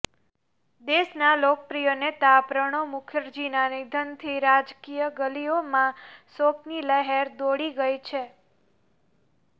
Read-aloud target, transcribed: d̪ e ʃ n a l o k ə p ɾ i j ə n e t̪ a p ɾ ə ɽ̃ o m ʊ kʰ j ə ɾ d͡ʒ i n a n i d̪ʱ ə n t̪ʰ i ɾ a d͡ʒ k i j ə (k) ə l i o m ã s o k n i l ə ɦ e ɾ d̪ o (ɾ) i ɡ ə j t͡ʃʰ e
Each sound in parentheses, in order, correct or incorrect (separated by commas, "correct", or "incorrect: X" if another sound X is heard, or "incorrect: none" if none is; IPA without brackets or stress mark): incorrect: ɡ, incorrect: ɽ